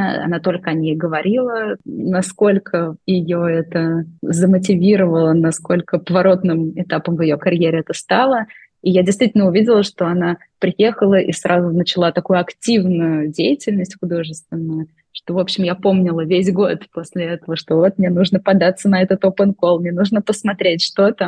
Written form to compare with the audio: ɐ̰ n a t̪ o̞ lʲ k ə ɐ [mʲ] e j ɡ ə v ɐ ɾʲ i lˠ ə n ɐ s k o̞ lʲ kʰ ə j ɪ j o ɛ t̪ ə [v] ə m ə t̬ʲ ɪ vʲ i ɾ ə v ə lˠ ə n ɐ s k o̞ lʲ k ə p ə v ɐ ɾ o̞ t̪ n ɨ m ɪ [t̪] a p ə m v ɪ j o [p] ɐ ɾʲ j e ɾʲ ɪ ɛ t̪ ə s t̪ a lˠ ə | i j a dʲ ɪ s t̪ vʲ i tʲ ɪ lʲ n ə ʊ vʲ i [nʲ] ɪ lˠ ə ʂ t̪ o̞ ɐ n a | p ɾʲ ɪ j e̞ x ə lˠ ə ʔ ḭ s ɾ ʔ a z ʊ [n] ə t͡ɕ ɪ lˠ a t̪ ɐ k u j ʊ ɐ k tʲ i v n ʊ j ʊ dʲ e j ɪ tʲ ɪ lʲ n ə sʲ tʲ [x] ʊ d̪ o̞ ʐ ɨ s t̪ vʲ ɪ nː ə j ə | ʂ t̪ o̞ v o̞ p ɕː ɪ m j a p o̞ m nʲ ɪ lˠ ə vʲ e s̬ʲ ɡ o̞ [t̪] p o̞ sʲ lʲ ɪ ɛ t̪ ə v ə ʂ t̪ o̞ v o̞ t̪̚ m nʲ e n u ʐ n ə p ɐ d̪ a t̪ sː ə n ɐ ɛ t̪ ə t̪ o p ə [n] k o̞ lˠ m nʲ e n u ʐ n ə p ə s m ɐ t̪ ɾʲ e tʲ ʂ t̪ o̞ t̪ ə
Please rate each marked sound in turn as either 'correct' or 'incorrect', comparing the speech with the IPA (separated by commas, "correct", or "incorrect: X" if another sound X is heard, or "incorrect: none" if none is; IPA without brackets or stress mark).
incorrect: nʲ, incorrect: z, correct, incorrect: k, incorrect: dʲ, correct, correct, correct, correct